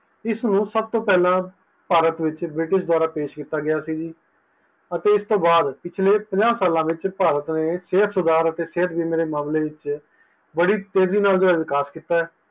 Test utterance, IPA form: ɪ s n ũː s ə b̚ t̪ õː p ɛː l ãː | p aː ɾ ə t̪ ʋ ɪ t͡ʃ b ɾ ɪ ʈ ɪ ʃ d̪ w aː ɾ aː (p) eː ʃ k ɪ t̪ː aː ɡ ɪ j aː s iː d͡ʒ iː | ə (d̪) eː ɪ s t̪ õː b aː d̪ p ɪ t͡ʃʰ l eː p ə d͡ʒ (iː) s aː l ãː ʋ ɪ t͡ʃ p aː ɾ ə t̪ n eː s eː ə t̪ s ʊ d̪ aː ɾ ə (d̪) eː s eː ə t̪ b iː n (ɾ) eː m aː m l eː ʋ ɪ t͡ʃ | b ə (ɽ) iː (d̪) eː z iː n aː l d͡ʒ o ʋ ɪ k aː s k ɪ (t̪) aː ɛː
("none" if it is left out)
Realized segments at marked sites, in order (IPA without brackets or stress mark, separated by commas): p, t̪, aː, t̪, ɾ, ɽ, t̪, t̪